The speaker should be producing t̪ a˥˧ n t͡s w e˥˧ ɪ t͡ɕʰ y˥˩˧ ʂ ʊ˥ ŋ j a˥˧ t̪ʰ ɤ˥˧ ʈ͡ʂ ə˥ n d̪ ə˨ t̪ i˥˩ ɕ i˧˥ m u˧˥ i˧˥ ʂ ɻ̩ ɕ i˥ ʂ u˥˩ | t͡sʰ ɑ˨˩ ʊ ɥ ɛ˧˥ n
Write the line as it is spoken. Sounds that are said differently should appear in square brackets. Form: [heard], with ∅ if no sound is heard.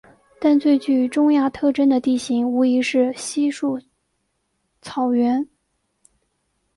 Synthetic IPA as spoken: t̪ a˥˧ n t͡s w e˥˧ ɪ [t͡ɕ] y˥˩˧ [ʈ͡ʂ] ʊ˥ ŋ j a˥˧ t̪ʰ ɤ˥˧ ʈ͡ʂ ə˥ n d̪ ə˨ t̪ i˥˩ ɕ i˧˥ [ŋ] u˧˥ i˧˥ ʂ ɻ̩ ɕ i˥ ʂ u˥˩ | t͡sʰ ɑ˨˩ ʊ ɥ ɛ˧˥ n